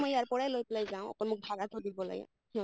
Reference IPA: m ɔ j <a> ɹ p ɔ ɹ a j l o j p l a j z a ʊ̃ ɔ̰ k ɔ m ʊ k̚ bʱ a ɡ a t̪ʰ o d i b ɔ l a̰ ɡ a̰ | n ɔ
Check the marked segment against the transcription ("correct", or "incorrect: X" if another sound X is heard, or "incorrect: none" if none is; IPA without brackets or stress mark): correct